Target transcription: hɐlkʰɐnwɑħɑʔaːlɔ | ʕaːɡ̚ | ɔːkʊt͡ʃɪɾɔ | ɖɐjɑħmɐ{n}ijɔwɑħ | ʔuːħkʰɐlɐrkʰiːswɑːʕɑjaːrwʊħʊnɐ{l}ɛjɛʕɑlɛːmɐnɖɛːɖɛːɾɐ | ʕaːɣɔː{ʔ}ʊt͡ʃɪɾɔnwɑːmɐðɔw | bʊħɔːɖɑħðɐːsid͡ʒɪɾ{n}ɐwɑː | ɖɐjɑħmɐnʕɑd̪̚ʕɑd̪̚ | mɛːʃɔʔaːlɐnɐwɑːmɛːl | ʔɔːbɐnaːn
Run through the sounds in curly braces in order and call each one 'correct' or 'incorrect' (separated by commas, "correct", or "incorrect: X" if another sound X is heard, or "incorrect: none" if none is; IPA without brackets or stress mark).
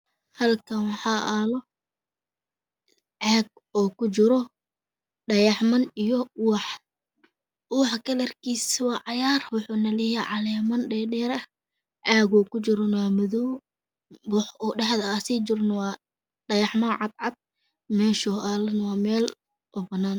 correct, correct, incorrect: k, correct